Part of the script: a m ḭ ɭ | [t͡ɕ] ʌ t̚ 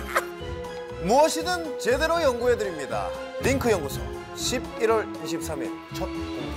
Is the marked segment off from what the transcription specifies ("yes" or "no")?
yes